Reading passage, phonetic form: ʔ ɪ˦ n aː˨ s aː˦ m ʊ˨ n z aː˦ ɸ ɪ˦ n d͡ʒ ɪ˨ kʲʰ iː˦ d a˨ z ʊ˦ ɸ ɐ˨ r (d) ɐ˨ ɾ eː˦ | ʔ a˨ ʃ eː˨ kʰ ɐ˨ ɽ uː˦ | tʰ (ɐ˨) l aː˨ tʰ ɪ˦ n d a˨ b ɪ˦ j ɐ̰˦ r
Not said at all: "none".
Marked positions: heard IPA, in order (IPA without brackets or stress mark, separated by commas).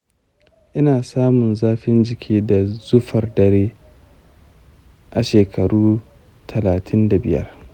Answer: d, ɐ˨